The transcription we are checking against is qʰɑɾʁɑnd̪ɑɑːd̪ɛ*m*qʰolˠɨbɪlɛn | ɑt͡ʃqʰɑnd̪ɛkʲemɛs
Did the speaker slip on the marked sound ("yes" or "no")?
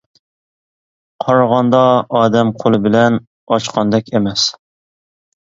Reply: no